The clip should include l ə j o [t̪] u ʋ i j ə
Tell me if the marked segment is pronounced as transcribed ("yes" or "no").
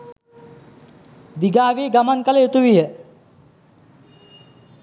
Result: yes